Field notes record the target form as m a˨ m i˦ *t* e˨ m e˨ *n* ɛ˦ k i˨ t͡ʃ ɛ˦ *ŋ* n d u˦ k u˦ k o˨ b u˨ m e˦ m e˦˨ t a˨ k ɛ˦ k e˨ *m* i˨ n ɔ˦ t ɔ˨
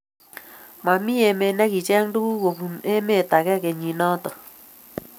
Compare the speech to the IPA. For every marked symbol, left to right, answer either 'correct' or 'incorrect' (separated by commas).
incorrect, correct, correct, incorrect